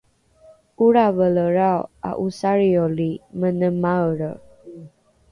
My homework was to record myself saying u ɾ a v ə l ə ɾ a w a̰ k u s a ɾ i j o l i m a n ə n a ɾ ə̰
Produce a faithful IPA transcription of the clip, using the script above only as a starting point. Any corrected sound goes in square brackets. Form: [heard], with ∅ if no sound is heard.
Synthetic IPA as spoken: u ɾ a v ə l ə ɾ a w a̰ [ʔ] u s a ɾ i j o l i m [ə] n ə [m] a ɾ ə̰

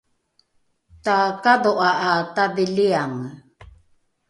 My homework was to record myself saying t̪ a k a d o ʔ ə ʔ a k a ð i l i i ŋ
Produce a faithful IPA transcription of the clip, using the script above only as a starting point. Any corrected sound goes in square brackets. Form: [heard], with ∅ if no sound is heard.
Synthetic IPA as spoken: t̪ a k a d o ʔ [a] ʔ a [t] a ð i l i [a] ŋ

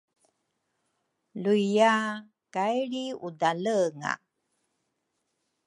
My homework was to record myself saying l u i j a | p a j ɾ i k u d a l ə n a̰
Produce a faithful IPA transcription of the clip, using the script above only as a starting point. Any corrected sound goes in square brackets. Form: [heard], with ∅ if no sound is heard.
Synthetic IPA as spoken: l u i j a | [k] a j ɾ i [∅] u d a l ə [ŋ] a̰

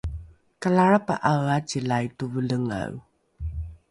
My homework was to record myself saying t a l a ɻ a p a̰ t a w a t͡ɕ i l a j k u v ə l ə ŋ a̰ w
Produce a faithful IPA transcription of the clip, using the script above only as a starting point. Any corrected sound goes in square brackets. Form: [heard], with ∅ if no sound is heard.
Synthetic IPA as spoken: [k] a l a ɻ a p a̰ [ʔ] a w a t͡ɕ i l a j [t] u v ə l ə ŋ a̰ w

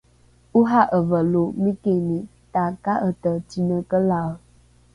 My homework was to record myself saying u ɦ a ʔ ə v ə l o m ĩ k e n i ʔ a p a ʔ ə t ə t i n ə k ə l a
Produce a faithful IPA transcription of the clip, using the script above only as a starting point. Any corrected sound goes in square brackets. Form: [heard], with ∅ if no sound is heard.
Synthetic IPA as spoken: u ɦ a ʔ ə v ə l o m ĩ k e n i [t] a [k] a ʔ ə t ə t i n ə k ə l a

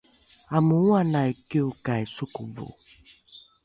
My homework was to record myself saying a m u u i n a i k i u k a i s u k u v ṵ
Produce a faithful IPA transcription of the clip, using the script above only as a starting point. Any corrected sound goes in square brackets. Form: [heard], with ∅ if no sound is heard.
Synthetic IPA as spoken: a m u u [a] n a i k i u k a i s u k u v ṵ

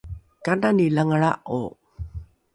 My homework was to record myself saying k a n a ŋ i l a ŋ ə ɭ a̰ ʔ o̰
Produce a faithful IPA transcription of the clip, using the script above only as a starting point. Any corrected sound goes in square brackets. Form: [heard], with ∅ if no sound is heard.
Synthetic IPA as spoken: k a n a [n] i l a ŋ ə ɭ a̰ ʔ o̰

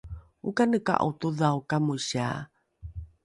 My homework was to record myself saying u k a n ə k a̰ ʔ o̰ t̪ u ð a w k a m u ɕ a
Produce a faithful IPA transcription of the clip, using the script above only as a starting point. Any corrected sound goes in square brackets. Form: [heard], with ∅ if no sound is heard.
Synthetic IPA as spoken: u k a n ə k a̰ ʔ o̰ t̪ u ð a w k a m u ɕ a

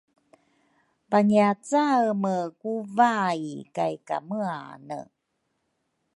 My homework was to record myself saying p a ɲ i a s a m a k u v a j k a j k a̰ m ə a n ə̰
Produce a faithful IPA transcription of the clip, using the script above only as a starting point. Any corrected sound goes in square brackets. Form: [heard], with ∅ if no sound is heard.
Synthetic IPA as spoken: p a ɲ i a [t͡s] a m [ə] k u v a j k a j k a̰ m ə a n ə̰

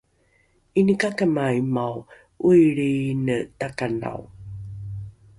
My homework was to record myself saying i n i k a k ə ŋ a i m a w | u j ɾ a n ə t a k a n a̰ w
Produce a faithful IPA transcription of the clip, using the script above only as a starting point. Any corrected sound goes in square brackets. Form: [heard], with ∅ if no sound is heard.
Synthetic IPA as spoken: i n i k a k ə [m] a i m a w | u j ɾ [i] n ə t a k a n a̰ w

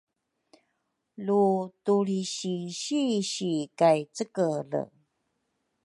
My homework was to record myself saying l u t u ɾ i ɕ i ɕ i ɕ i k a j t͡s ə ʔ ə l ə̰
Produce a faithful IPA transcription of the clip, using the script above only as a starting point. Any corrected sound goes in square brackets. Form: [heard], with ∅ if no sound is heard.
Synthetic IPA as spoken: l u t u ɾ i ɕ i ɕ i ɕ i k a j t͡s ə [k] ə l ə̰

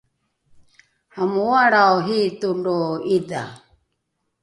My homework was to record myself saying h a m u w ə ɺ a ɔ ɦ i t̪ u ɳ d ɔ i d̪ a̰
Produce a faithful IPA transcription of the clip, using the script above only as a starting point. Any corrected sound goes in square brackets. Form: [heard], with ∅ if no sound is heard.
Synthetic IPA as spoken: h a m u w [a] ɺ a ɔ ɦ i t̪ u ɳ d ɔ i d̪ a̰

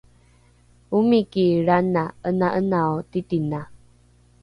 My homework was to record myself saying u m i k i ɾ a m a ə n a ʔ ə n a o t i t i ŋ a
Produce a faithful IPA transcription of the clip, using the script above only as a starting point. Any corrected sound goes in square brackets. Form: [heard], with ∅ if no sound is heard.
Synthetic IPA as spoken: u m i k i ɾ a [n] a ə n a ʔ ə n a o t i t i [n] a

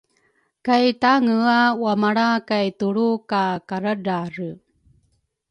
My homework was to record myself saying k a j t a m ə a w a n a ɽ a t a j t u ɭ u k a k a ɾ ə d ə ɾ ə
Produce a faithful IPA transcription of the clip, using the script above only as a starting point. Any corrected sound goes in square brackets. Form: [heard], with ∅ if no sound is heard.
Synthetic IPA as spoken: k a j t a [ŋ] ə a w a [m] a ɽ a [k] a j t u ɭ u k a k a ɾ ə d [a] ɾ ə

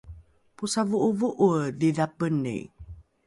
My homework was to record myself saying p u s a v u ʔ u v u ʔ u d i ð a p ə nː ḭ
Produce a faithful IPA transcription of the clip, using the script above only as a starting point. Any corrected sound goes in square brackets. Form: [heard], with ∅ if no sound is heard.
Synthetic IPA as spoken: p u s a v u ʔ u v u ʔ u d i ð a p ə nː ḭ

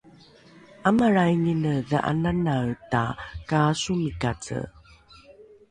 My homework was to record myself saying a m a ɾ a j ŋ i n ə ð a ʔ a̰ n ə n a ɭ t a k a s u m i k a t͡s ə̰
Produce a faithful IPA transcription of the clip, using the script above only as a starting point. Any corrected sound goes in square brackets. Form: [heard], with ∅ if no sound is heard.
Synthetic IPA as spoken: a m a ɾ a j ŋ i n ə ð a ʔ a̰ n [a] n a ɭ t a k a s u m i k a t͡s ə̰

